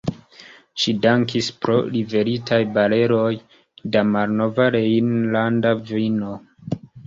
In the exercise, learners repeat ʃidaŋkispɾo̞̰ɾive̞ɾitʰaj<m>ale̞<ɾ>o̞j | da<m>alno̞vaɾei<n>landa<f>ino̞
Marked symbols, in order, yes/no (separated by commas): no, yes, yes, yes, no